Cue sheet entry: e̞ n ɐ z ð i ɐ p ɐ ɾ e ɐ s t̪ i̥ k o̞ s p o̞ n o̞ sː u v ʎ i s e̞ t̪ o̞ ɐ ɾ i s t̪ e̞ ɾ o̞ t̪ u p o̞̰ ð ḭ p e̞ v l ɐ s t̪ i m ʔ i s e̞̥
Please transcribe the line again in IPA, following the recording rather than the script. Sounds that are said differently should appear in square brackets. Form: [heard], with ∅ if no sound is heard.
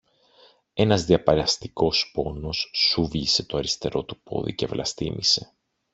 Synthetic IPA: e̞ n ɐ z ð i ɐ p ɐ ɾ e ɐ s t̪ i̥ k o̞ s p o̞ n o̞ sː u v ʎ i s e̞ t̪ o̞ ɐ ɾ i s t̪ e̞ ɾ o̞ t̪ u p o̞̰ ð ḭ [c] e̞ v l ɐ s t̪ i m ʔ i s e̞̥